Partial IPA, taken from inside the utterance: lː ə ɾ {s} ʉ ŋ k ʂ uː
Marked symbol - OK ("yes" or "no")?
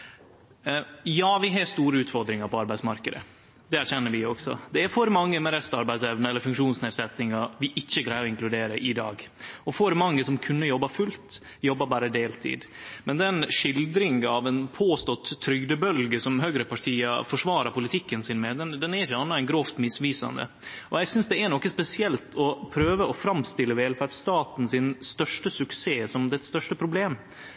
no